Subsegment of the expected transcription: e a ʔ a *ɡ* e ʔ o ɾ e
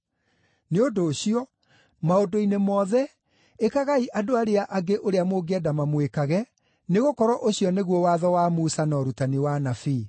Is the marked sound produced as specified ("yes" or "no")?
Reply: yes